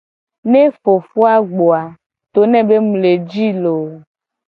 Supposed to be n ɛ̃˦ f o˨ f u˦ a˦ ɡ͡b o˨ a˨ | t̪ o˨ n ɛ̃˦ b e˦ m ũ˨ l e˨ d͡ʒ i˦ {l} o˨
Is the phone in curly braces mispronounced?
no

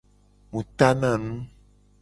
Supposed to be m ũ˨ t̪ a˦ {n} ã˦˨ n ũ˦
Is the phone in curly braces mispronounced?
no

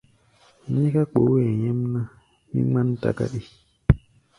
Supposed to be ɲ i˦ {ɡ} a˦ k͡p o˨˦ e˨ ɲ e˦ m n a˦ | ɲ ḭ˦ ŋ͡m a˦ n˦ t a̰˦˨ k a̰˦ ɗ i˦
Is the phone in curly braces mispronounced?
yes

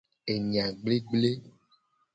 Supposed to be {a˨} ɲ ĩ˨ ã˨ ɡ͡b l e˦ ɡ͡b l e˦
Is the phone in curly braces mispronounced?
yes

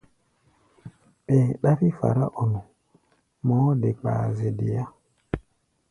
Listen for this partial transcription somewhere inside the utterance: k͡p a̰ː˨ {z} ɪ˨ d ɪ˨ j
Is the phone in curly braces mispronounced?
no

